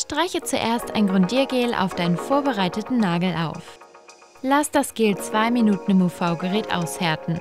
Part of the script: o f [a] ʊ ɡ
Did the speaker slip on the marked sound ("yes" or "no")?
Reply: no